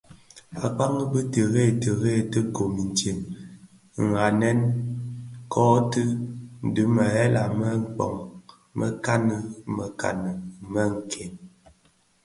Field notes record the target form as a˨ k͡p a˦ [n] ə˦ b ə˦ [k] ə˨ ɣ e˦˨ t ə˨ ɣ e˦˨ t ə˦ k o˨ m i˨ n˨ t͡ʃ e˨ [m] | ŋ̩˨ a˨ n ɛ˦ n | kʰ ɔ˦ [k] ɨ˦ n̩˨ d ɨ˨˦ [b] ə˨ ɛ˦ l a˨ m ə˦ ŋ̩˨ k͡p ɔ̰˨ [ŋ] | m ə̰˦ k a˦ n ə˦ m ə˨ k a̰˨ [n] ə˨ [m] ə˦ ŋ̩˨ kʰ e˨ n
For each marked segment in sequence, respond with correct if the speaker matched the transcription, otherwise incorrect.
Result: incorrect, incorrect, correct, incorrect, incorrect, correct, correct, correct

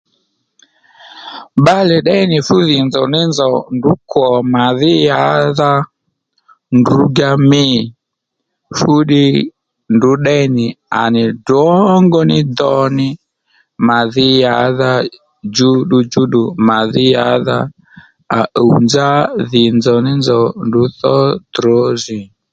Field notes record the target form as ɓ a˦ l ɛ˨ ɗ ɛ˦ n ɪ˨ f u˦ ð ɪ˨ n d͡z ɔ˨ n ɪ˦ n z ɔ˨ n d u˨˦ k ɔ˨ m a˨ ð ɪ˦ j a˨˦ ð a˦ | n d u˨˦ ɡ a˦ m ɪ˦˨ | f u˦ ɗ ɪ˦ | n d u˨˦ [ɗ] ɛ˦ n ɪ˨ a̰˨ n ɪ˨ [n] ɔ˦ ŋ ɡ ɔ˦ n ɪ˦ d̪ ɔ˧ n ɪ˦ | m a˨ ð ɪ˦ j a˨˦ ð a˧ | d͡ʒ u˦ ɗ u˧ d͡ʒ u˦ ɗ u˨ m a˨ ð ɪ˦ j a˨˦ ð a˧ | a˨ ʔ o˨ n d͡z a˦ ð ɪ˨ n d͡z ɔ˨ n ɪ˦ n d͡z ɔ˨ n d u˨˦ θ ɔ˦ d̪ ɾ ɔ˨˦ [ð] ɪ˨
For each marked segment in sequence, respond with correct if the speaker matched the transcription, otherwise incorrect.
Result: correct, incorrect, incorrect

